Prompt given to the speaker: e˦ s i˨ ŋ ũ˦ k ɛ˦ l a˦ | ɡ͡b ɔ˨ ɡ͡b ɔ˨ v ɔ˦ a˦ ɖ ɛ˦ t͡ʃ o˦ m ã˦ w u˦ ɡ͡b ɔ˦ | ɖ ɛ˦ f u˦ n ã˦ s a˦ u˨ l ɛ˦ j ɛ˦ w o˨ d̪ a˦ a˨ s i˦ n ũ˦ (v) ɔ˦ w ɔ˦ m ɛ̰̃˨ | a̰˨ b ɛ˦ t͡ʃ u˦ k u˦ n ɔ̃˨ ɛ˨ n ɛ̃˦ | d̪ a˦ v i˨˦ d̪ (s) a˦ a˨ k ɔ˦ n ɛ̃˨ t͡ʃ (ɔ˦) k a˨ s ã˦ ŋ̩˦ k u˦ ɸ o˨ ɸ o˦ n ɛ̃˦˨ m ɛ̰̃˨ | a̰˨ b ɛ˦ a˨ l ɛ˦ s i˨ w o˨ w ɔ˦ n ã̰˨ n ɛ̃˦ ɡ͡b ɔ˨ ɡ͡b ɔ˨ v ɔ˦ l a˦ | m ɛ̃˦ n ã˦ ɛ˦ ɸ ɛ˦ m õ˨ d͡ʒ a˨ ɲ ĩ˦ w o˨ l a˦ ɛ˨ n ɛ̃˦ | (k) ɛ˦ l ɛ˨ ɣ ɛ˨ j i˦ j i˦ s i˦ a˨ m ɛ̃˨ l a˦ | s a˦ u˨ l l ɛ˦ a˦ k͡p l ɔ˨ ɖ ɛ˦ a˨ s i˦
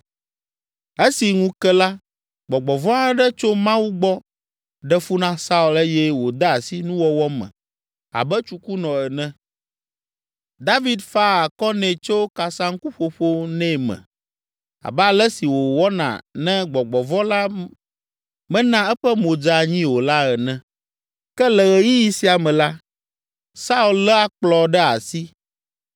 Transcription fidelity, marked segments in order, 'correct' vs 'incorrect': incorrect: w, incorrect: f, incorrect: o˦, correct

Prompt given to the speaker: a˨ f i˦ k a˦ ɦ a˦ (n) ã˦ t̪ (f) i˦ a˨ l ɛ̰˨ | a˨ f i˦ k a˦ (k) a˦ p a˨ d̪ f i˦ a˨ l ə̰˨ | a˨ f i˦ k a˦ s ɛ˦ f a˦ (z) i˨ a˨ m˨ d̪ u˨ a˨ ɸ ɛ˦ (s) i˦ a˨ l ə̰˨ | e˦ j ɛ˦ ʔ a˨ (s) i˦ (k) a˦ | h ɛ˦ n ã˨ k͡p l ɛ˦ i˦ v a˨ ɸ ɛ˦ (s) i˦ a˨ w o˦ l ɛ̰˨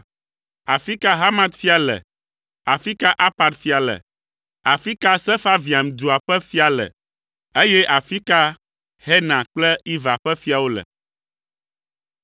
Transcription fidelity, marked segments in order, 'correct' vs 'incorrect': incorrect: m, correct, incorrect: ʔ, incorrect: v, incorrect: f, incorrect: f, correct, incorrect: f

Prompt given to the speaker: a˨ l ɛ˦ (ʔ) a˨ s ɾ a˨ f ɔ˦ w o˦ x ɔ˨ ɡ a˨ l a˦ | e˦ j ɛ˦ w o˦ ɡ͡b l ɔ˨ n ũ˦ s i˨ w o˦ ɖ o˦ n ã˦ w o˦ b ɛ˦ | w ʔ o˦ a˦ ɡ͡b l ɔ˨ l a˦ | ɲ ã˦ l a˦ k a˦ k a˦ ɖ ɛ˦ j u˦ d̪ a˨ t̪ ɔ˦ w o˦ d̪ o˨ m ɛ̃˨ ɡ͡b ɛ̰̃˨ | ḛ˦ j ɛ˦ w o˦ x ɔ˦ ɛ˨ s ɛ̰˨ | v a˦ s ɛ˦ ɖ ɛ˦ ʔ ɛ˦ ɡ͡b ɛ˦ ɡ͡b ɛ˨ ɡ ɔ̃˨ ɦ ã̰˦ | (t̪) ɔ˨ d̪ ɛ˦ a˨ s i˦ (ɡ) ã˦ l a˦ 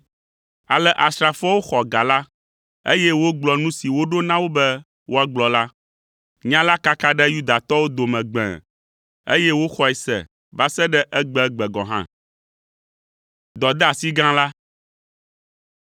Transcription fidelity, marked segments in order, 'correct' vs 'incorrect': correct, incorrect: d̪, correct

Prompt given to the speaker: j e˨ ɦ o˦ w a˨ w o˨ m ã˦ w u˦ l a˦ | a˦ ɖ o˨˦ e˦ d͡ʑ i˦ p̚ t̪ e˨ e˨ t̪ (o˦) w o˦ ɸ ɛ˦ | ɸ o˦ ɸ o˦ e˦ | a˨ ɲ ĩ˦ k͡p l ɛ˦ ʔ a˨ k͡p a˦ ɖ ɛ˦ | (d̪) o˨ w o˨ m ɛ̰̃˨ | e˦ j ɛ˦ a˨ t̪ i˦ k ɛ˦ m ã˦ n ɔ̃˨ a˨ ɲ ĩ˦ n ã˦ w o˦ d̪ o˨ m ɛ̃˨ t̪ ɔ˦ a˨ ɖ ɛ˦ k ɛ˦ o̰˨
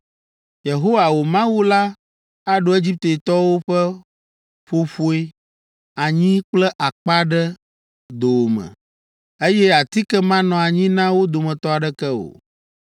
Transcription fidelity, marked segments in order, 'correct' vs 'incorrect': incorrect: ɔ˦, correct

